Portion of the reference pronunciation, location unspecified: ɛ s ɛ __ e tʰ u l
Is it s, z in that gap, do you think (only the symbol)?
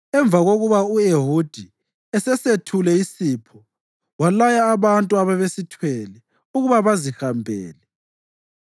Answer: s